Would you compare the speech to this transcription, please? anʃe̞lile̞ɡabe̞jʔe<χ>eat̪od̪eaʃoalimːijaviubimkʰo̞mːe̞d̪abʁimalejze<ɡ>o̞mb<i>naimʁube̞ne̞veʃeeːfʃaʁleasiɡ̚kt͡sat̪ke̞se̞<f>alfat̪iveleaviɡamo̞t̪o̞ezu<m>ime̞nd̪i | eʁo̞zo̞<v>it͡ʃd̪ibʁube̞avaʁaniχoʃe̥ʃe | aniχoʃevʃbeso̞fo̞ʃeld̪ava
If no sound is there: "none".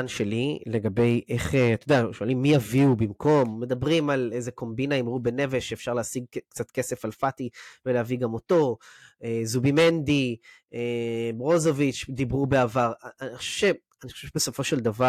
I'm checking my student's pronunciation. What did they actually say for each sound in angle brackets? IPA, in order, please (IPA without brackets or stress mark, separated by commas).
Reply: χ, k, i, f, b, v